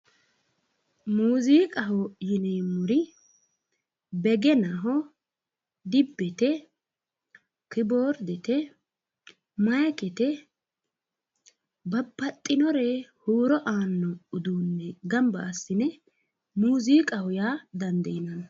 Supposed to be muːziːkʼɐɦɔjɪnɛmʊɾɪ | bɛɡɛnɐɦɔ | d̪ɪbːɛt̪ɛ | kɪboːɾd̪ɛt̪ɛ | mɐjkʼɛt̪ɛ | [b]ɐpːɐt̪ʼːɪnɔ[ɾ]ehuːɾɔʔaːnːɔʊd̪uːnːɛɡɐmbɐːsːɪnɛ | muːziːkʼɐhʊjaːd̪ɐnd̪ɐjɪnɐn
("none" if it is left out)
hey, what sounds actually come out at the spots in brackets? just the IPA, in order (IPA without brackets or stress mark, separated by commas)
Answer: b, ɾ